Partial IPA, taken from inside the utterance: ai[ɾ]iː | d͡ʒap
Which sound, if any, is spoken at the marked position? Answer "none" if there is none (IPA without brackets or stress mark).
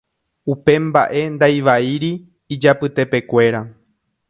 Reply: ɾ